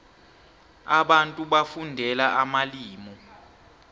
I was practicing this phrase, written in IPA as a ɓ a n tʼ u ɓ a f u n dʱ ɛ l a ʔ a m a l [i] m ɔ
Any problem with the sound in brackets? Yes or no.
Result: yes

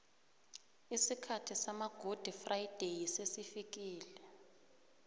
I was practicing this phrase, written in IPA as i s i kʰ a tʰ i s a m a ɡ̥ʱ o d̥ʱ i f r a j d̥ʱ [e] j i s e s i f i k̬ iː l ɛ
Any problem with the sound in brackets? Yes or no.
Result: no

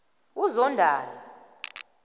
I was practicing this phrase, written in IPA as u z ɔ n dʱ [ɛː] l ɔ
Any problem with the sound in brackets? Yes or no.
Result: yes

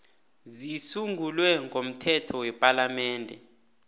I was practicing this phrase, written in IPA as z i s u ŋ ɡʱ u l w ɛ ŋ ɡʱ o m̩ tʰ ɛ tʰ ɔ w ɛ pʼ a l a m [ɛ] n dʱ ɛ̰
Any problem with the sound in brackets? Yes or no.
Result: yes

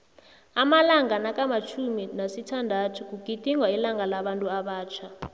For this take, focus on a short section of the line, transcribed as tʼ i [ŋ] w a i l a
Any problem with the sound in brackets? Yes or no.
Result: no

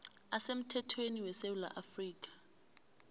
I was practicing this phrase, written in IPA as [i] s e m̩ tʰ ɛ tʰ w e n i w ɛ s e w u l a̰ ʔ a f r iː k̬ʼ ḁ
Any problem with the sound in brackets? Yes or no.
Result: yes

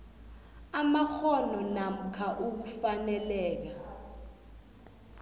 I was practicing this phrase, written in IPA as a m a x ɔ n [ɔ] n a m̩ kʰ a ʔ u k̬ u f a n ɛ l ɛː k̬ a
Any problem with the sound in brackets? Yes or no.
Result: no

